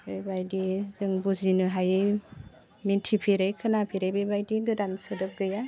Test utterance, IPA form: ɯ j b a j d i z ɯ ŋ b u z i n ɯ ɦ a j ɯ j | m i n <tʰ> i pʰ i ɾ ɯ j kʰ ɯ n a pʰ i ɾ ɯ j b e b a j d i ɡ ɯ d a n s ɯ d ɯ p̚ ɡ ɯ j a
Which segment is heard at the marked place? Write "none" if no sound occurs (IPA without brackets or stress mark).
tʰ